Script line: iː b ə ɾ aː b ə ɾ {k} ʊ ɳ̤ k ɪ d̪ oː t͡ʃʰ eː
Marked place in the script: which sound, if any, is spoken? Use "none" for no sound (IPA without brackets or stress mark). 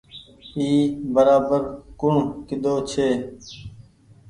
k